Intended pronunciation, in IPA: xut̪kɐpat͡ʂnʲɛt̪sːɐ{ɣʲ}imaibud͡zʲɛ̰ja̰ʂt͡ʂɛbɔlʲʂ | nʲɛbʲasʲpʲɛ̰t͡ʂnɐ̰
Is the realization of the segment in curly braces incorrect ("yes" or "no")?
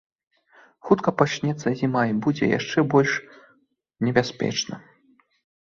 yes